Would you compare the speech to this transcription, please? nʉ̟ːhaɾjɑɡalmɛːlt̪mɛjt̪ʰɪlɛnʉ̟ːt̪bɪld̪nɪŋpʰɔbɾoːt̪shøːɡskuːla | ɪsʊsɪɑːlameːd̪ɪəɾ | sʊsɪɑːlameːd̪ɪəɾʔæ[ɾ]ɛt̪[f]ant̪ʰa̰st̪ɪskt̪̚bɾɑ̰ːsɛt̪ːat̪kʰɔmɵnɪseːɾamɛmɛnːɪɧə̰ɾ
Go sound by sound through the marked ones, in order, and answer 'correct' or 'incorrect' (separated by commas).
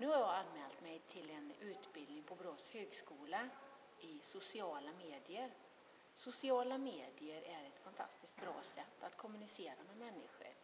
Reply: correct, correct